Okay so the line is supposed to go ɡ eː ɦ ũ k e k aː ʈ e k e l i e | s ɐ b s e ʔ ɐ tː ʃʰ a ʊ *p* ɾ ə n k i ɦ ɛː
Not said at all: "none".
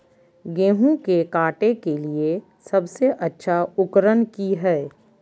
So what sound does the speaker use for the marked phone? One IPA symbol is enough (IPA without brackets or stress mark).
k